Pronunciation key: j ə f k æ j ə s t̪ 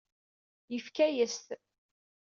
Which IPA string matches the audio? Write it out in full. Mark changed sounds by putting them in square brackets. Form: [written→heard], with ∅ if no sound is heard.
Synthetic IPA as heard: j ə f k æ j ə s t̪